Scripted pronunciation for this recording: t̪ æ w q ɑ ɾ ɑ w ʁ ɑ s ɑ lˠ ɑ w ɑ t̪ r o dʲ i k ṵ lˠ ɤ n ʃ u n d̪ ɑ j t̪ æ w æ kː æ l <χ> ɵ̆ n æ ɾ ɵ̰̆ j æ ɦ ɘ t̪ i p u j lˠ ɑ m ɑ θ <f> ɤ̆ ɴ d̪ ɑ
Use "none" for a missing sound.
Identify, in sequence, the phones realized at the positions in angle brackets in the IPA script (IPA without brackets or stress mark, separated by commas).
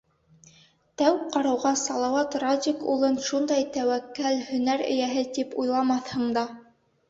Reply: h, h